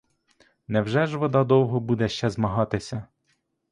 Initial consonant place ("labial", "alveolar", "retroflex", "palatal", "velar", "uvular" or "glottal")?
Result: alveolar